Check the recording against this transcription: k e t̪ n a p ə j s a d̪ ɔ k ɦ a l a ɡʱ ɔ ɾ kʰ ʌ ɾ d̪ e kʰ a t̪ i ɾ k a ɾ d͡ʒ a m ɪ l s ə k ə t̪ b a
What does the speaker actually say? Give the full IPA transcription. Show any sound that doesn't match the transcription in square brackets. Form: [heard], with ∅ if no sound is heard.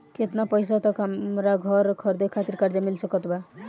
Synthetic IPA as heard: k e t̪ n a p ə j s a [t̪] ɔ k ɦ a [ɾ] a ɡʱ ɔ ɾ kʰ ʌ ɾ d̪ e kʰ a t̪ i ɾ k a ɾ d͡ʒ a m [i] l s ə k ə t̪ b a